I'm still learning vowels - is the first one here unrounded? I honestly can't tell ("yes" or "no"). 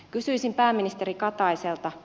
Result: no